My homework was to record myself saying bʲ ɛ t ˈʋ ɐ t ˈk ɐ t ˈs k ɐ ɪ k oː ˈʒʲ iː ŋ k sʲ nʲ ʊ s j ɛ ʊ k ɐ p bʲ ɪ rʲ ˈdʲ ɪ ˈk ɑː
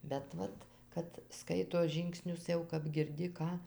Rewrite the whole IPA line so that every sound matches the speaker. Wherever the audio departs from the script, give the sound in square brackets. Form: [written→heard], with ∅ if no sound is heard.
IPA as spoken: bʲ ɛ t ˈʋ ɐ t ˈk ɐ t ˈs k ɐ ɪ [k→t] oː ˈʒʲ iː ŋ k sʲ nʲ ʊ s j ɛ ʊ k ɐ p [bʲ→ɡʲ] ɪ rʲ ˈdʲ ɪ ˈk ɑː